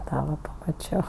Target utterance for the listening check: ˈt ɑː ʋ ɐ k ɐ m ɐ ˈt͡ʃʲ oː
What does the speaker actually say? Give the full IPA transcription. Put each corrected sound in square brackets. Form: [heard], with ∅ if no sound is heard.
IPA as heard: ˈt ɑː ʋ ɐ [p] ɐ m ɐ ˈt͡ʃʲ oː